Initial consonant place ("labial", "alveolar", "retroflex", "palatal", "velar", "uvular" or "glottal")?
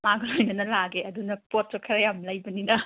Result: labial